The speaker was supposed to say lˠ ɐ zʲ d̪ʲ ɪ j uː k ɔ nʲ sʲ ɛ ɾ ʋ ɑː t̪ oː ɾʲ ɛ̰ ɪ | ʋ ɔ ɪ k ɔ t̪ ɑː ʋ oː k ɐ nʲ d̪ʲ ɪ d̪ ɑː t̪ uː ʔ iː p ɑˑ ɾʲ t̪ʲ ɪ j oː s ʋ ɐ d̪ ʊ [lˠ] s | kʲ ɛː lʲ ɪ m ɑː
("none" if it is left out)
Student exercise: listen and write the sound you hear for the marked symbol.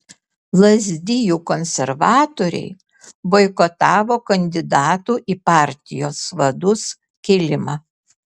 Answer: none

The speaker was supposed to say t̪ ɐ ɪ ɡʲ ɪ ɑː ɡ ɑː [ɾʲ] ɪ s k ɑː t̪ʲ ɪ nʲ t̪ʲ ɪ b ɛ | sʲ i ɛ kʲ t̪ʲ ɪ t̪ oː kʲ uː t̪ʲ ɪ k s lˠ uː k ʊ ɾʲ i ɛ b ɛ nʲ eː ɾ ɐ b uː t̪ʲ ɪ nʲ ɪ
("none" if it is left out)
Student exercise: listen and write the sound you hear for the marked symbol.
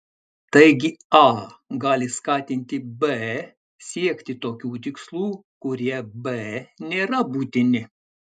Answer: lʲ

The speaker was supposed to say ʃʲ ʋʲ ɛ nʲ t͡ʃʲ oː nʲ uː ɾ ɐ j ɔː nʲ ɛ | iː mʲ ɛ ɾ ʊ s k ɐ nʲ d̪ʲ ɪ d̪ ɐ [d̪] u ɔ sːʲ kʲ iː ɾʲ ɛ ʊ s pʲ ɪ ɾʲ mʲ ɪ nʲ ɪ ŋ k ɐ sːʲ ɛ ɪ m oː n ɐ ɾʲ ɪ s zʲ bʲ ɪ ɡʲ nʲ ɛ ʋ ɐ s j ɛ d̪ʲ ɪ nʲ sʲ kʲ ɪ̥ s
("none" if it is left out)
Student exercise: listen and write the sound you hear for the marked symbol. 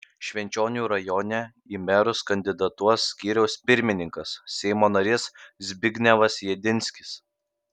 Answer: t̪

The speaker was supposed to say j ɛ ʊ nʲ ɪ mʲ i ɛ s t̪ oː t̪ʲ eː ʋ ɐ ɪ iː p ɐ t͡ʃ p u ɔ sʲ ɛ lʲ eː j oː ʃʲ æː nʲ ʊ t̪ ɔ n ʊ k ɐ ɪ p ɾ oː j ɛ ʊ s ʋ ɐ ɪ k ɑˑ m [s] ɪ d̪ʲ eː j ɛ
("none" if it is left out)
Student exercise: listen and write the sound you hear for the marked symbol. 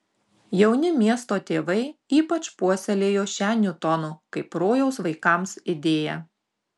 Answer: s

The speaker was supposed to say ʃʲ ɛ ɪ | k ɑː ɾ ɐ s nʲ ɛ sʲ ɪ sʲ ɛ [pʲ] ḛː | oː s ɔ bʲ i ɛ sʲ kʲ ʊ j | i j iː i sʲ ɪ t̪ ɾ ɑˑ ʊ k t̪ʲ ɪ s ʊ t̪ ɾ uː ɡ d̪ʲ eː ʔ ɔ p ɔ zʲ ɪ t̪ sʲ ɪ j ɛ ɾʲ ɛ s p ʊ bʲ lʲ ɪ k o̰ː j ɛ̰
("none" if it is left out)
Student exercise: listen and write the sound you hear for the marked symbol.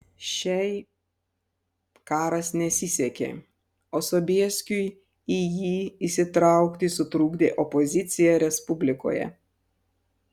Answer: kʲ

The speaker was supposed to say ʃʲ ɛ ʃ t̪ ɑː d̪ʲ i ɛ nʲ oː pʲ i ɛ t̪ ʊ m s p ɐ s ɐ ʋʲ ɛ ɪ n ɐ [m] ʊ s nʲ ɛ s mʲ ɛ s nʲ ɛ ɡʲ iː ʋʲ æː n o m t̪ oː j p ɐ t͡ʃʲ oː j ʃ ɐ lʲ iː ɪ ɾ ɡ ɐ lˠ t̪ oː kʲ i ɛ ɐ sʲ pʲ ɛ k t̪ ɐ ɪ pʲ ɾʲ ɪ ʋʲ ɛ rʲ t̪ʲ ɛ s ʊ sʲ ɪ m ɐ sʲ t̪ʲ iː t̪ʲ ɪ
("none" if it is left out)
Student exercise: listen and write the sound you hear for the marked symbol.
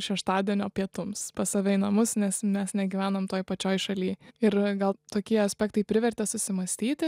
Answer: m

